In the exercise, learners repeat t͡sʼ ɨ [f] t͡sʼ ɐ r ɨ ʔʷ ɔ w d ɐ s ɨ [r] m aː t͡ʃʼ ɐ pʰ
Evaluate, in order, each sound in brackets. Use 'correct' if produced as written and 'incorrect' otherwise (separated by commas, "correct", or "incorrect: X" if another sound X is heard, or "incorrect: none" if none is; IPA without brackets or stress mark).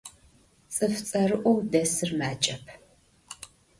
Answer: correct, correct